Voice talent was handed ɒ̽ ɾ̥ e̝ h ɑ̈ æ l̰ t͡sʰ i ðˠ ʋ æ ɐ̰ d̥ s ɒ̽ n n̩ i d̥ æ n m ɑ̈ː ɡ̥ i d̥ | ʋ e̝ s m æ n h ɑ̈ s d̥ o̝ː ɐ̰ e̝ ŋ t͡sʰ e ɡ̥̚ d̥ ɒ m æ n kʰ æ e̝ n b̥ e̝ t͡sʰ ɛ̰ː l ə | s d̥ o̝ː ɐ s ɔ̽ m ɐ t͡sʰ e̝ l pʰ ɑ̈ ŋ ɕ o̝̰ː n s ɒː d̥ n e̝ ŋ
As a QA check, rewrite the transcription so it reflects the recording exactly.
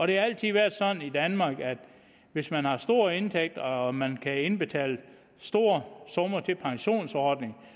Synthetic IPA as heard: ɒ̽ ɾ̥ e̝ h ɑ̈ æ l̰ t͡sʰ i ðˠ ʋ æ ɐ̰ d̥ s ɒ̽ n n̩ i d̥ æ n m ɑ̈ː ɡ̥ æ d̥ | ʋ e̝ s m æ n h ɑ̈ s d̥ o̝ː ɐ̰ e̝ n t͡sʰ e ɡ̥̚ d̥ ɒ m æ n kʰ æ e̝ n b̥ e̝ t͡sʰ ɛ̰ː l ə | s d̥ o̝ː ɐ s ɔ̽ m ɐ t͡sʰ e̝ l pʰ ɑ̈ ŋ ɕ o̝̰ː n s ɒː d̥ n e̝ ŋ